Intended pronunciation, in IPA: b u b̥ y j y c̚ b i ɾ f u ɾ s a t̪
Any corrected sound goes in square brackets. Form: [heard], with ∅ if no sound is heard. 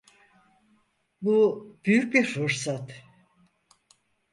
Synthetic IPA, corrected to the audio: b u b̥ y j y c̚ b i ɾ f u ɾ s a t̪